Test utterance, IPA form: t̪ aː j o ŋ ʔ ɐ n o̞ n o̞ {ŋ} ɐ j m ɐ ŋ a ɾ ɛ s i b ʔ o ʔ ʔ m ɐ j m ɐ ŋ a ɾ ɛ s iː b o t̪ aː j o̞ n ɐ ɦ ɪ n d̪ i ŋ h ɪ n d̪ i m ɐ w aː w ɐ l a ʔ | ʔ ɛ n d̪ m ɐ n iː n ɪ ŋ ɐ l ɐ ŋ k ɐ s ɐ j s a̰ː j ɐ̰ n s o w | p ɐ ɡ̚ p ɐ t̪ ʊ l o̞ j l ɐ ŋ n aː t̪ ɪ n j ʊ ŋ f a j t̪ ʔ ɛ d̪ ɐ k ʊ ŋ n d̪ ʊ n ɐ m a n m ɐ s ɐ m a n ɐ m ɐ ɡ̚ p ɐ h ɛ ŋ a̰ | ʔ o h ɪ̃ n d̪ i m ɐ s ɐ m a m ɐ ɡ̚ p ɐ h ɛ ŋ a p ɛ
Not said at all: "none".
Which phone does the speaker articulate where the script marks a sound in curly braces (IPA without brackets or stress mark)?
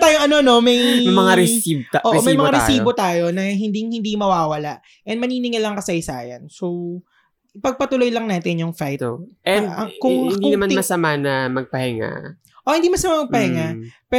m